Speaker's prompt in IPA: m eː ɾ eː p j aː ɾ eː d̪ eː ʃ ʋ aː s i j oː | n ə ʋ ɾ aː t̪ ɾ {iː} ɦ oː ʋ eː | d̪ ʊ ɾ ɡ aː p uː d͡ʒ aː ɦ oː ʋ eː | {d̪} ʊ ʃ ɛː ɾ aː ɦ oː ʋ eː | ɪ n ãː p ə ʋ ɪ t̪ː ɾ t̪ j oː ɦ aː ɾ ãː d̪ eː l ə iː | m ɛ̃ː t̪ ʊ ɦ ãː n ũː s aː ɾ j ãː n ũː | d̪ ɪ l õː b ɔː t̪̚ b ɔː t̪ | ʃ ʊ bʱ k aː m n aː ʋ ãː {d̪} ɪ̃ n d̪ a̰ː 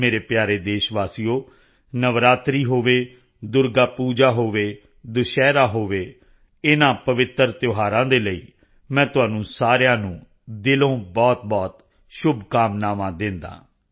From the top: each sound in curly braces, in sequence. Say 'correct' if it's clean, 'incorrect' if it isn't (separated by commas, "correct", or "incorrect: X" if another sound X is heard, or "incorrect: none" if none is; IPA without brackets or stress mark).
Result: correct, correct, correct